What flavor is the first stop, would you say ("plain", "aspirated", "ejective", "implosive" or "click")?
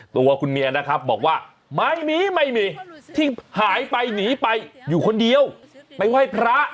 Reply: plain